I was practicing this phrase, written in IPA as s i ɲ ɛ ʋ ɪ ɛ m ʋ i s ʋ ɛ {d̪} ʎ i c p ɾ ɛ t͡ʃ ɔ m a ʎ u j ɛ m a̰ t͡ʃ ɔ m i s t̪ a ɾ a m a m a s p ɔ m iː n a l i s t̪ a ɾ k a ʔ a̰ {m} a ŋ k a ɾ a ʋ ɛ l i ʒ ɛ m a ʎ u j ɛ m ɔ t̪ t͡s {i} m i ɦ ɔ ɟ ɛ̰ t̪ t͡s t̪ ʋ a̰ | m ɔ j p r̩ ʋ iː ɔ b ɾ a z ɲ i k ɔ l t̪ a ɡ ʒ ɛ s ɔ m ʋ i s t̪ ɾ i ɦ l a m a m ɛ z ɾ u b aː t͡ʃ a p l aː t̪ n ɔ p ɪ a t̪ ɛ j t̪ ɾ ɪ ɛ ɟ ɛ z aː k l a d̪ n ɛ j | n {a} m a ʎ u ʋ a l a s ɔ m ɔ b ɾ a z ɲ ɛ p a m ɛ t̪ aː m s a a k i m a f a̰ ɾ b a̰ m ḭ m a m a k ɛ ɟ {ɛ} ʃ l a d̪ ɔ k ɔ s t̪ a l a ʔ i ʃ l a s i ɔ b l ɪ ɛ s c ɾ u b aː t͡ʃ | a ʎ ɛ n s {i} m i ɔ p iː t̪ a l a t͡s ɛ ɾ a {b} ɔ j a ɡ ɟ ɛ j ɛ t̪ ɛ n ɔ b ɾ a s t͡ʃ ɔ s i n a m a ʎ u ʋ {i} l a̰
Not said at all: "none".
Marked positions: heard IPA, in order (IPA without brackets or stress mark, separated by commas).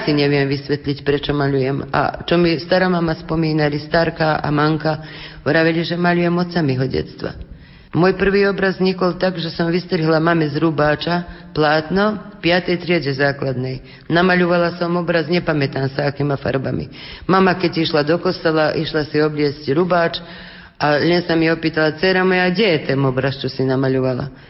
t̪, m, a, a, i, a, m, a